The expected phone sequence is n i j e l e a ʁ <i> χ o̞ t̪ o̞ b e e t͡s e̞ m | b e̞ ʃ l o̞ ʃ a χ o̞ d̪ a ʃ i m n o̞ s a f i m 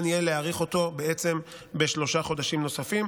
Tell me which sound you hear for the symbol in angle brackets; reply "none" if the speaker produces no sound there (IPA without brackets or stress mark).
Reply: i